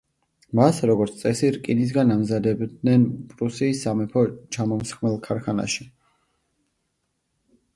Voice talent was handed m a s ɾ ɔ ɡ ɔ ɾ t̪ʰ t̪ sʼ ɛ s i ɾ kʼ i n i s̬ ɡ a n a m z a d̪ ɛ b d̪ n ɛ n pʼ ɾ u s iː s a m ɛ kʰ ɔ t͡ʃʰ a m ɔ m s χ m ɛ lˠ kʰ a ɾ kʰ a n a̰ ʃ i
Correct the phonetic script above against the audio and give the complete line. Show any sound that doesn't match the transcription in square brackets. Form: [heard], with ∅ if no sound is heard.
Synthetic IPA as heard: m a s ɾ ɔ ɡ ɔ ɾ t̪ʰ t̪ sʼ ɛ s i ɾ kʼ i n i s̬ ɡ a n a m z a d̪ ɛ b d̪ n ɛ n pʼ ɾ u s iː s a m ɛ [pʰ] ɔ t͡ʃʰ a m ɔ m s χ m ɛ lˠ kʰ a ɾ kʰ a n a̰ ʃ i